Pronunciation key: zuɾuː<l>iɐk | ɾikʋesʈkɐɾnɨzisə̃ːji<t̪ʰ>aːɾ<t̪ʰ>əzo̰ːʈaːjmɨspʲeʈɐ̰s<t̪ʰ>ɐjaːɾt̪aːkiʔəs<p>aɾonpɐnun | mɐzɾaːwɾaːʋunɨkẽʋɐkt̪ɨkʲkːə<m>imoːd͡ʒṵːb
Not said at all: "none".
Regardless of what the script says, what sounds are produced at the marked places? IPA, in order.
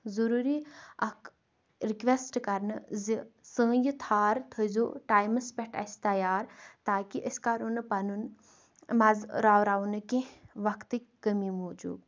ɾ, t̪ʰ, t̪ʰ, t̪, k, m

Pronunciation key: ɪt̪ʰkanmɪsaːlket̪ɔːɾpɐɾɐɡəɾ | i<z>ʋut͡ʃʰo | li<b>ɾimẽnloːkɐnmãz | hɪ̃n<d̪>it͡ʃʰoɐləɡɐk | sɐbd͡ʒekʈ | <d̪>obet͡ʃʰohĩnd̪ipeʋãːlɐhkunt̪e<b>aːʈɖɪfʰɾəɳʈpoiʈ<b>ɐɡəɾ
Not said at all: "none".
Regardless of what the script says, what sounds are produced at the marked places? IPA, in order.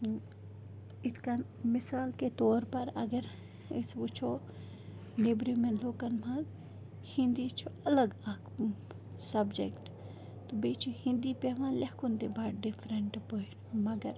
s, b, d̪, t̪, b, m

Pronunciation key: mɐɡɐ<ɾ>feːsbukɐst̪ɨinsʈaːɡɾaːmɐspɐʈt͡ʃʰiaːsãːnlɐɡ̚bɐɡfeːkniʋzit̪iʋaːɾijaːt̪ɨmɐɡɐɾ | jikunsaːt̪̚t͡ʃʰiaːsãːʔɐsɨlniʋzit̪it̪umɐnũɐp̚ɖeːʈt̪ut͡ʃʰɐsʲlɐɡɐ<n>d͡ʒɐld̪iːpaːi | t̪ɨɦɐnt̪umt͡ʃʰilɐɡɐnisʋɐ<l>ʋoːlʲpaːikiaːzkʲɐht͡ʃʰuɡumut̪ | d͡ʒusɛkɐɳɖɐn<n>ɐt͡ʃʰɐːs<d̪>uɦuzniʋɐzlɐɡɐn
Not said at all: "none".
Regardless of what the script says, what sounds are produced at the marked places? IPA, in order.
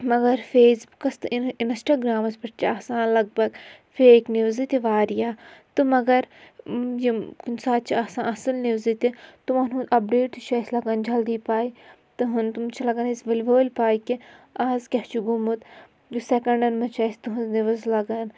ɾ, n, l, m, t̪

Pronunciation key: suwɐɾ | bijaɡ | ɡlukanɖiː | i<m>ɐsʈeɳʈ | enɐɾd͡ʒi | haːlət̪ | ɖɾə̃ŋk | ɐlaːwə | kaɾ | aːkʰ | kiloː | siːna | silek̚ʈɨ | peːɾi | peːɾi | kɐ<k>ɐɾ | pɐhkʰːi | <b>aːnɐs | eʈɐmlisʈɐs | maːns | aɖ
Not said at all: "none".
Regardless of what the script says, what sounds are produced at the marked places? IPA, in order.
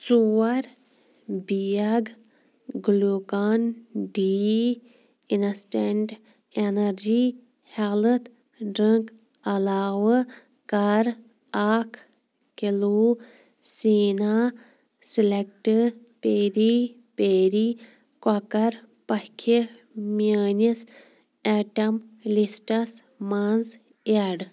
n, k, m

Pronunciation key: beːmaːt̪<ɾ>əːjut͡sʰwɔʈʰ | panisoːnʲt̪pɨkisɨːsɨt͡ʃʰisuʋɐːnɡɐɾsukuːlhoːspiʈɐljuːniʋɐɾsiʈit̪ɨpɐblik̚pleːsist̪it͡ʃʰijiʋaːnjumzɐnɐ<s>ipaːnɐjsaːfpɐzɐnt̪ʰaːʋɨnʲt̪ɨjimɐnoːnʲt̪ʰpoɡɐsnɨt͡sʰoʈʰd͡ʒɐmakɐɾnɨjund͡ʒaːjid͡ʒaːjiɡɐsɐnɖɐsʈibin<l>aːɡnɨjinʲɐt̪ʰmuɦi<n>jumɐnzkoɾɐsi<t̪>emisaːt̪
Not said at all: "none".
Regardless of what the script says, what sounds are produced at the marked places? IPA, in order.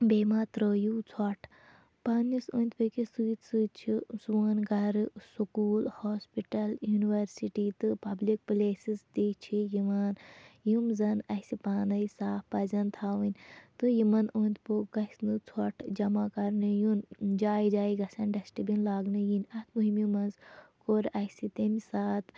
ɾ, s, l, m, t̪

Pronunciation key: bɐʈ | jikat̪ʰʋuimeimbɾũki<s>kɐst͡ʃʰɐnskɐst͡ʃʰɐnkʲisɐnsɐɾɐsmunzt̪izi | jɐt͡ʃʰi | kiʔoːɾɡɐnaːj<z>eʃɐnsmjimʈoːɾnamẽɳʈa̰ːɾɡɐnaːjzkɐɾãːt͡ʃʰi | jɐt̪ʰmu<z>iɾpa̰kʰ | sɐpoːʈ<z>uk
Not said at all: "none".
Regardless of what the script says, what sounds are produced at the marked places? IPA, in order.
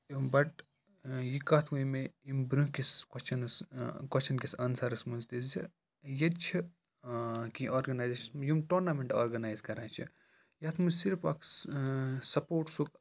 s, z, s, s

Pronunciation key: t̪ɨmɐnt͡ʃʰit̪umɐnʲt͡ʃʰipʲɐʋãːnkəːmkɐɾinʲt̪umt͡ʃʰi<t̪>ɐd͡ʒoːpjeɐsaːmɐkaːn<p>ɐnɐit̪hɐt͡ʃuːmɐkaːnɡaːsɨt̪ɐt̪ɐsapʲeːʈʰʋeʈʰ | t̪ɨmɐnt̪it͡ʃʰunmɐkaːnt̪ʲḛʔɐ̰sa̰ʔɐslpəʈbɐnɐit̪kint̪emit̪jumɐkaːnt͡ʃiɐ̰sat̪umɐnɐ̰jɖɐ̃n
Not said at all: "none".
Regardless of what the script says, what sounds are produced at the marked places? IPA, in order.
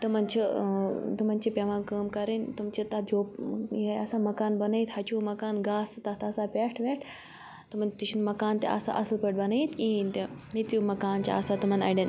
t̪, b

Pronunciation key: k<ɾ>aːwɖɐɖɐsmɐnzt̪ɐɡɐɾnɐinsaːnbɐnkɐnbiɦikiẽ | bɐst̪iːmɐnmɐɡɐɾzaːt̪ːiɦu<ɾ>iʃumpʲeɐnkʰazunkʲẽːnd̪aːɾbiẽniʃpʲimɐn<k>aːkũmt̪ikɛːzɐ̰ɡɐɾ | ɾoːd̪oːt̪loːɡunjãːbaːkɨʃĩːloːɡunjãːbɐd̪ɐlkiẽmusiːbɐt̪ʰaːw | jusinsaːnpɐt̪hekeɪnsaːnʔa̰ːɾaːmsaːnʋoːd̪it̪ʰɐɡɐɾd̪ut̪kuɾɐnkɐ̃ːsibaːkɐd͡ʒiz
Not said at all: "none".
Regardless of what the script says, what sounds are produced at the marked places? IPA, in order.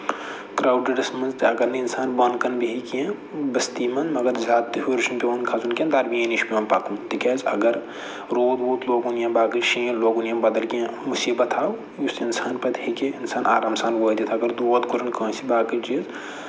ɾ, ɾ, p

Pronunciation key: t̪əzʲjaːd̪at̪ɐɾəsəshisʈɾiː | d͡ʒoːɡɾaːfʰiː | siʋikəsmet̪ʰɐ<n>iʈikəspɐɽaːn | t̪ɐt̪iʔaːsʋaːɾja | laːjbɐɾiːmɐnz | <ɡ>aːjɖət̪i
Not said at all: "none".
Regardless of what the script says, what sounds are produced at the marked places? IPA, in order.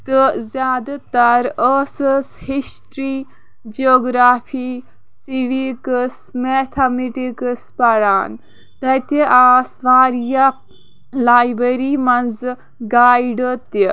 m, ɡ

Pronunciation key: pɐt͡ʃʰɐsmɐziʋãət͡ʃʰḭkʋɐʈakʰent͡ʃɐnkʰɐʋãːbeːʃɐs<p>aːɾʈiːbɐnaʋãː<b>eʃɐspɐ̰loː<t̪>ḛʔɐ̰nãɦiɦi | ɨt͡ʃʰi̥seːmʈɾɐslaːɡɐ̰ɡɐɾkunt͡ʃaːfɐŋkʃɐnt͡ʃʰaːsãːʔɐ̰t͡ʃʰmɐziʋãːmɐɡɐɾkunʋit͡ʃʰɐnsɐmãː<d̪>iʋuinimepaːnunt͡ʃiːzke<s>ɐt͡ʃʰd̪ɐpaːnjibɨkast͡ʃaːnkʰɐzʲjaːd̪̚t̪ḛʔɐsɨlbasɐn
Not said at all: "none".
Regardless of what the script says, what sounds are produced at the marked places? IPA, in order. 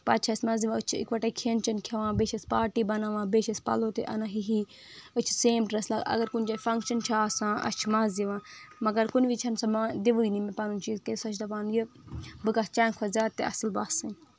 p, b, t̪, d̪, s

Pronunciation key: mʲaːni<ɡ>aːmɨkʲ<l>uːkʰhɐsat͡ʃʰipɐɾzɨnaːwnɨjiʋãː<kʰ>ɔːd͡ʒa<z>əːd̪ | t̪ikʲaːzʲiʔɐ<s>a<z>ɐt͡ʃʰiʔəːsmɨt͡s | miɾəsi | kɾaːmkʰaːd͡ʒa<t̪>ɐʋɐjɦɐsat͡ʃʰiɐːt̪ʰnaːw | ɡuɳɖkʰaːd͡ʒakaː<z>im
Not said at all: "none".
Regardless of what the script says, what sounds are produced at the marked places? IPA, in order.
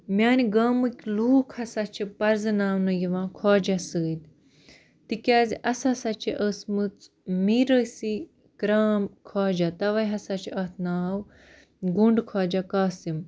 ɡ, l, kʰ, s, s, s, t̪, s

